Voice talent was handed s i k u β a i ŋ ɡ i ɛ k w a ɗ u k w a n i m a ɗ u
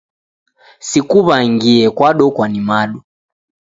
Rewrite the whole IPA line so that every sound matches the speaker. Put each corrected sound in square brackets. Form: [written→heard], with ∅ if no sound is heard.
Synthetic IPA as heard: s i k u β a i ŋ ɡ i ɛ k w a ɗ [u→ɔ] k w a n i m a ɗ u